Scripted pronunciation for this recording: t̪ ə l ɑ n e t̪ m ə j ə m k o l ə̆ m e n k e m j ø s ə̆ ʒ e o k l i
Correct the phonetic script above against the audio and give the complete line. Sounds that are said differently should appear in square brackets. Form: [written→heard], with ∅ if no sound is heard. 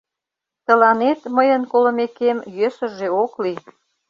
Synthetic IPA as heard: t̪ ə l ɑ n e t̪ m ə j ə [m→n] k o l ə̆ m e [n→∅] k e m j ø s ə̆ ʒ e o k l i